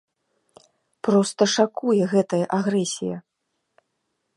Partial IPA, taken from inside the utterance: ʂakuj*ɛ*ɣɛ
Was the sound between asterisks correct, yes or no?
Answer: yes